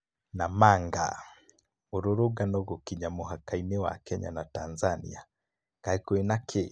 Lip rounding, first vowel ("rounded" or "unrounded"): unrounded